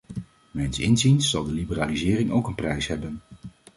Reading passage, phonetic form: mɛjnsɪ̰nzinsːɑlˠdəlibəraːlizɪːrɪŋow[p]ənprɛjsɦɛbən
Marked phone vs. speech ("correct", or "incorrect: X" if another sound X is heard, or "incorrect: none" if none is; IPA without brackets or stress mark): incorrect: k